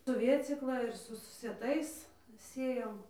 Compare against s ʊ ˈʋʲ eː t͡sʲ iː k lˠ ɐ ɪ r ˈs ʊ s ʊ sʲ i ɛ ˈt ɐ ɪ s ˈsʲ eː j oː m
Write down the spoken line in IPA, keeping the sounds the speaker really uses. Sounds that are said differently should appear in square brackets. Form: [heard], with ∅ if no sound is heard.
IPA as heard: s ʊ ˈʋʲ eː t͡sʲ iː k lˠ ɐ ɪ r ˈs ʊ s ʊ sʲ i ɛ ˈt ɐ ɪ s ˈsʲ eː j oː m